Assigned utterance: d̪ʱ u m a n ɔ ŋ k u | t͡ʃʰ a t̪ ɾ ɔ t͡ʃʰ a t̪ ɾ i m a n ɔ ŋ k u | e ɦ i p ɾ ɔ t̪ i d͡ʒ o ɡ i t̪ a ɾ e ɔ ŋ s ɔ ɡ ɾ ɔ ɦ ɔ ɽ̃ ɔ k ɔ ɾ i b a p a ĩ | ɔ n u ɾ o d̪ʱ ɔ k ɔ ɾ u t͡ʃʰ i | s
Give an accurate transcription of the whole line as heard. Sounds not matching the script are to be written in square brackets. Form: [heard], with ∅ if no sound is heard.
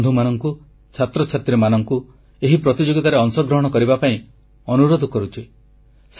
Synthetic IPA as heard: d̪ʱ u m a n ɔ ŋ k u | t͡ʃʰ a t̪ ɾ ɔ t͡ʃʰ a t̪ ɾ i m a n ɔ ŋ k u | e ɦ i p ɾ ɔ t̪ i d͡ʒ o ɡ i t̪ a ɾ e ɔ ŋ s ɔ ɡ ɾ ɔ ɦ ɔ ɽ̃ ɔ k ɔ ɾ i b a p a ĩ | ɔ n u ɾ o d̪ʱ ɔ k ɔ ɾ u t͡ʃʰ i | s

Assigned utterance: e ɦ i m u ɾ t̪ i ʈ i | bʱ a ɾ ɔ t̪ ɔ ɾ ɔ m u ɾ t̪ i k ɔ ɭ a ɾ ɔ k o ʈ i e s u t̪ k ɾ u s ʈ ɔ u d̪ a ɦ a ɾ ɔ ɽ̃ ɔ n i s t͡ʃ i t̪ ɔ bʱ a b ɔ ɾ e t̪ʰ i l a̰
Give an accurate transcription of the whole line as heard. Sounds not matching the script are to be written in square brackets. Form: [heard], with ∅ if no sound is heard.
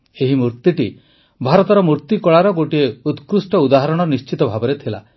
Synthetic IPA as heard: e ɦ i m u ɾ t̪ i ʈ i | bʱ a ɾ ɔ t̪ ɔ ɾ ɔ m u ɾ t̪ i k ɔ ɭ a ɾ ɔ [ɡ] o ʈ i e [∅] u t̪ k ɾ u s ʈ ɔ u d̪ a ɦ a ɾ ɔ ɽ̃ ɔ n i s t͡ʃ i t̪ ɔ bʱ a b ɔ ɾ e t̪ʰ i l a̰

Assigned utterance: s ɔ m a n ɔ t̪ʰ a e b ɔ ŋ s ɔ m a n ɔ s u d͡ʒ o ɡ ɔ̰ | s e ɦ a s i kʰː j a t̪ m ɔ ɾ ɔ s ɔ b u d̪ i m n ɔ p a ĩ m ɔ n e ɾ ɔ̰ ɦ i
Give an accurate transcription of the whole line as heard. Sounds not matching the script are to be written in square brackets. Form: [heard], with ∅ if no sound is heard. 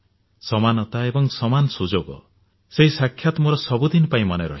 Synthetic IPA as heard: s ɔ m a n ɔ [t̪] a e b ɔ ŋ s ɔ m a n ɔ s u d͡ʒ o ɡ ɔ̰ | s e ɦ [i] s [a] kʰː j a t̪ m ɔ ɾ ɔ s ɔ b u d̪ i [∅] n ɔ p a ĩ m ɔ n e ɾ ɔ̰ ɦ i

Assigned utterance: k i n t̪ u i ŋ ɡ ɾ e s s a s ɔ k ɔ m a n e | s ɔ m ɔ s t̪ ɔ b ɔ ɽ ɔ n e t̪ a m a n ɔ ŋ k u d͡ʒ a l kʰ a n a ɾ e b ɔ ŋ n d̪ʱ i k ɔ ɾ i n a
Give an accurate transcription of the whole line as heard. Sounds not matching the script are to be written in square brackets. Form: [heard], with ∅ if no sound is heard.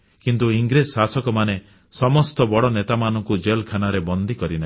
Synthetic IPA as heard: k i n t̪ u i ŋ ɡ ɾ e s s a s ɔ k ɔ m a n e | s ɔ m ɔ s t̪ ɔ b ɔ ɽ ɔ n e t̪ a m a n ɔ ŋ k u d͡ʒ [e] l kʰ a n a ɾ e b ɔ [∅] n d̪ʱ i k ɔ ɾ i n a

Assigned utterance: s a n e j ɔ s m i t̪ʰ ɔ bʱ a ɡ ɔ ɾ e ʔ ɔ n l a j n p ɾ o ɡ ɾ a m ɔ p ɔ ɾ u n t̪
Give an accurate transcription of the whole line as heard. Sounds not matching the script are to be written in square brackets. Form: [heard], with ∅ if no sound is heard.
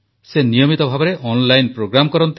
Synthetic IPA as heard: s [e] n [i] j ɔ [∅] m i [t̪] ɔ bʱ a [b] ɔ ɾ e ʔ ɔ n l a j n p ɾ o ɡ ɾ a m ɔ [k] ɔ ɾ [ɔ] n t̪

